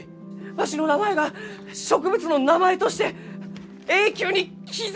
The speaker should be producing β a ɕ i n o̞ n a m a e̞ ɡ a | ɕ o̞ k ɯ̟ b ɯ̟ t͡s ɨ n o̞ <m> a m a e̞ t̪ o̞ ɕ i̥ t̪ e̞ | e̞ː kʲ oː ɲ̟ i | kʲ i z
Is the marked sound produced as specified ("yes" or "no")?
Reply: no